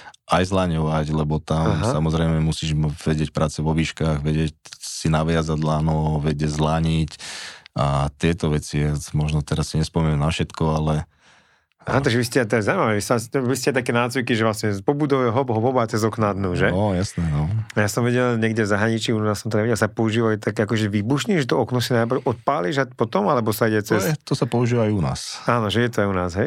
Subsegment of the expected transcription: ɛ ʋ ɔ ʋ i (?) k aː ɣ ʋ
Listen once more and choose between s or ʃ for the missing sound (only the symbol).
ʃ